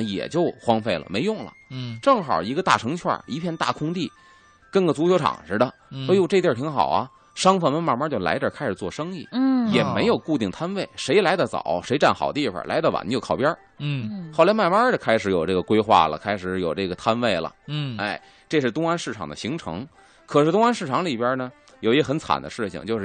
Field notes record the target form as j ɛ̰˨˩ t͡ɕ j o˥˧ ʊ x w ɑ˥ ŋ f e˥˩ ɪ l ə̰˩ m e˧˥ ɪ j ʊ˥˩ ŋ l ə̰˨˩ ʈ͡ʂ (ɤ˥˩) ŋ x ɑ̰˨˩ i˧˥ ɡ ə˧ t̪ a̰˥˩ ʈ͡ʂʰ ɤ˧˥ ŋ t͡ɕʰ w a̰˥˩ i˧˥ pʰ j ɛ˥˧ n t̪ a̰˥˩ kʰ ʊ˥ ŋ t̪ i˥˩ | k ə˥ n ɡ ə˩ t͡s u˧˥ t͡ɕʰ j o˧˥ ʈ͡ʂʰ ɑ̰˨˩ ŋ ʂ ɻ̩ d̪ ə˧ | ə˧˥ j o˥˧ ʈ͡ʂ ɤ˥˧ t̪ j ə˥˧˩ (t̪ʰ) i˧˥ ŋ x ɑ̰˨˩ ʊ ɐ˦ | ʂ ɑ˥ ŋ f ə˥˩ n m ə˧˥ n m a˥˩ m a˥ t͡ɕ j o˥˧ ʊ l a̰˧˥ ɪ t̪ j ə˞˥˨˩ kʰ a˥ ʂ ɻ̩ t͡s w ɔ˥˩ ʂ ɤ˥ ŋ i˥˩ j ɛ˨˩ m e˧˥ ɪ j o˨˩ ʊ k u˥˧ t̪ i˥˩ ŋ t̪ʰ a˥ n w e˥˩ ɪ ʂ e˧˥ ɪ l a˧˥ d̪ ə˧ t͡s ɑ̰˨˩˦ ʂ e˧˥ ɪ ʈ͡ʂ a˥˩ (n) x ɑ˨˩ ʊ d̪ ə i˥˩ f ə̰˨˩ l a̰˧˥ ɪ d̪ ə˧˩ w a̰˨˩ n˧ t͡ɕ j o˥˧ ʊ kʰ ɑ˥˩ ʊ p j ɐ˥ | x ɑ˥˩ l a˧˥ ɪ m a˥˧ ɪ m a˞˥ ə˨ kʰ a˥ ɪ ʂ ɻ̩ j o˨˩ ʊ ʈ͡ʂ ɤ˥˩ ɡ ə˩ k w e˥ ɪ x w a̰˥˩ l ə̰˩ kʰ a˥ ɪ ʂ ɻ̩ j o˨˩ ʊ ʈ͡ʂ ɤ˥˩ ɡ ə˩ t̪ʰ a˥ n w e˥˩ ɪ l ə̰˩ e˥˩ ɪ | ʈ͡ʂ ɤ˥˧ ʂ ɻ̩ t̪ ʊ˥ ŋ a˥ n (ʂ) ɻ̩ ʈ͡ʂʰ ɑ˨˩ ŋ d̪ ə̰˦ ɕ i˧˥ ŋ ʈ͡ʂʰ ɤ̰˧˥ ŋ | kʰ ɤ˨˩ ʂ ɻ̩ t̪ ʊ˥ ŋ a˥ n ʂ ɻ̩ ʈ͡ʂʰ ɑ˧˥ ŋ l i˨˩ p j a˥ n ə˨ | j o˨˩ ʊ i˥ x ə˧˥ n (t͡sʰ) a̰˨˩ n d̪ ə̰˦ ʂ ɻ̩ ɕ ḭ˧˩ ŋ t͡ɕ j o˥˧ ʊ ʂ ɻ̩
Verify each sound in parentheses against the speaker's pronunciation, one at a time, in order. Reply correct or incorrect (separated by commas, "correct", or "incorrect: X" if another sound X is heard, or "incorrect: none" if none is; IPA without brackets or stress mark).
correct, correct, correct, correct, correct